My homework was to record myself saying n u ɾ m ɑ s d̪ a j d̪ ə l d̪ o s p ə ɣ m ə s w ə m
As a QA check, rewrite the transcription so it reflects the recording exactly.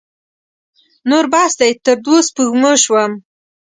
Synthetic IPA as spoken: n o ɾ b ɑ s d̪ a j t̪ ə ɾ d̪ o s p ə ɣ m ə ʃ w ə m

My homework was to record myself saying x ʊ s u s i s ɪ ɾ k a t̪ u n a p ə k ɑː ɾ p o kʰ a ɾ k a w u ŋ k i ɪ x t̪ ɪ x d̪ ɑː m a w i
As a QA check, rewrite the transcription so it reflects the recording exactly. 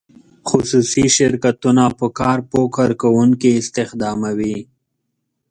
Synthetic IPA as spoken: x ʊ s u s i ʃ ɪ ɾ k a t̪ u n a p ə k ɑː ɾ p o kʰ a ɾ k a w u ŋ k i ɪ s t̪ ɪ x d̪ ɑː m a w i

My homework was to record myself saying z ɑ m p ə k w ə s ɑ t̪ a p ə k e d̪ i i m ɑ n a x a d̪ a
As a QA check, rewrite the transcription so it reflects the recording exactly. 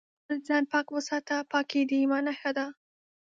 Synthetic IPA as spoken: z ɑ n p ɑ k w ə s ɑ t̪ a p ɑ k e d̪ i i m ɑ n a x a d̪ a

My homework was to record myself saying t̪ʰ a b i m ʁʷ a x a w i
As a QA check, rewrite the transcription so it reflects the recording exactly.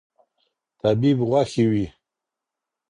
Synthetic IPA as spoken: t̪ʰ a b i b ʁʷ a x i w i

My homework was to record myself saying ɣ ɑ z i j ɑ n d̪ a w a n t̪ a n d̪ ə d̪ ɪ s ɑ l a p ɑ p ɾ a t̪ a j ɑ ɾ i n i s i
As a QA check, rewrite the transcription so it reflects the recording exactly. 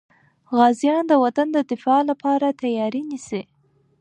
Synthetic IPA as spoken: ɣ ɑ z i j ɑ n d̪ ə w a t̪ a n d̪ ə d̪ ɪ f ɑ l a p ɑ ɾ a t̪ a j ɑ ɾ i n i s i

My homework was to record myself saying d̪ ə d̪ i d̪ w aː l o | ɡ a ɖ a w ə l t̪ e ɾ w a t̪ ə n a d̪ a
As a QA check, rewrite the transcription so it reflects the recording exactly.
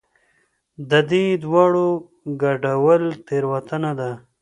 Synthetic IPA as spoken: d̪ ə d̪ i d̪ w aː ɽ o | ɡ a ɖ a w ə l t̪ e ɾ w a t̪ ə n a d̪ a

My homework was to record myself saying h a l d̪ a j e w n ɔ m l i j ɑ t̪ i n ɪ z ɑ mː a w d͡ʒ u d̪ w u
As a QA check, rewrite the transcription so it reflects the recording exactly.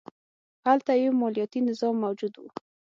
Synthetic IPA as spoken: h a l t̪ a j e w m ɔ l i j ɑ t̪ i n ɪ z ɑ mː a w d͡ʒ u d̪ w u

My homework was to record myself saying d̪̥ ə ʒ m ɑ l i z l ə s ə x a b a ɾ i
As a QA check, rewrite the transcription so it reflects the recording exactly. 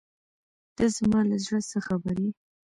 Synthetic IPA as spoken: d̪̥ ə z m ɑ l a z ɽ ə s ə x a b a ɾ i

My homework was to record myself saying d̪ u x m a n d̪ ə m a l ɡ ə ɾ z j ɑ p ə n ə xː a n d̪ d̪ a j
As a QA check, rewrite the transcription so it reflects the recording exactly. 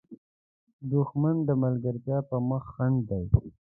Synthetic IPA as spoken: d̪ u x m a n d̪ ə m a l ɡ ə ɾ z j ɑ p ə m ə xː a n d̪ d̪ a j

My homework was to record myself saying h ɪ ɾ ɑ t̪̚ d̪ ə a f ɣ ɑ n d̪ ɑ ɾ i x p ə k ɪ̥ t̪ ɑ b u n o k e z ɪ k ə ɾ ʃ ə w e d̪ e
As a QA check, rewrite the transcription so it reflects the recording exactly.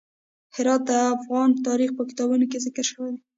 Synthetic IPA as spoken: h ɪ ɾ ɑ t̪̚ d̪ ə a f ɣ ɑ n t̪ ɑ ɾ i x p ə k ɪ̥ t̪ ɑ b u n o k e z ɪ k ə ɾ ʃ ə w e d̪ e

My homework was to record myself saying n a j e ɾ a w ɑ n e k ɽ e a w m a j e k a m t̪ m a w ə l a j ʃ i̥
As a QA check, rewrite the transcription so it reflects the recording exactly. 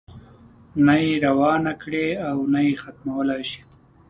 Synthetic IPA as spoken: n a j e ɾ a w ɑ n a k ɽ e a w n a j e x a t̪ m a w ə l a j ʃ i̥

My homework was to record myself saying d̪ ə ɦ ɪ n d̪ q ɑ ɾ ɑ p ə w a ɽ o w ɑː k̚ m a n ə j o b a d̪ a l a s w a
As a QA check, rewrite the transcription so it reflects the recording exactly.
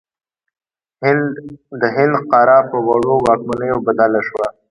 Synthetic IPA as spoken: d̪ ə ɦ ɪ n d̪ q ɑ ɾ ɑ p ə w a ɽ o w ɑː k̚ m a n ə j o b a d̪ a l a ʃ w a

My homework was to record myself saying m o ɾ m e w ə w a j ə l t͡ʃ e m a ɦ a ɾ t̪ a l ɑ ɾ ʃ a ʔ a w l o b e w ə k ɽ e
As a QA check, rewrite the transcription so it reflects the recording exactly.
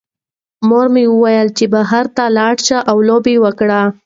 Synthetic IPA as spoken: m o ɾ m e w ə w a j ə l t͡ʃ e b a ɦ a ɾ t̪ a l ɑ ɽ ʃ a ʔ a w l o b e w ə k ɽ a

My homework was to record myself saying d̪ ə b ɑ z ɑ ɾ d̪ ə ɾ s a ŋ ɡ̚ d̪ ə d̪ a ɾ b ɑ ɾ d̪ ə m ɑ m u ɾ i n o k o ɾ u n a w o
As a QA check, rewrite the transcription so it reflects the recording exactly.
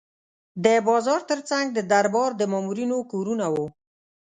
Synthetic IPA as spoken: d̪ ə b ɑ z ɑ ɾ t̪ ə ɾ t͡s a ŋ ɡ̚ d̪ ə d̪ a ɾ b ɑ ɾ d̪ ə m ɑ m u ɾ i n o k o ɾ u n a w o

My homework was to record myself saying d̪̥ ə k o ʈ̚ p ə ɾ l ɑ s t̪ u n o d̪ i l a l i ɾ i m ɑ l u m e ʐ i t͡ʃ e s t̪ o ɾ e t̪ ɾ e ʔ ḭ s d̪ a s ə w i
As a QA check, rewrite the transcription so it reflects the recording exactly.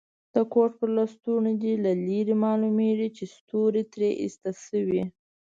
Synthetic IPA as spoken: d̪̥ ə k o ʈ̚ p ə ɾ l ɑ s t̪ u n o d̪ i l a l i ɾ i m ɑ l u m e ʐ i t͡ʃ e s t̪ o ɾ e t̪ ɾ e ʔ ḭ s t̪ a s ə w i

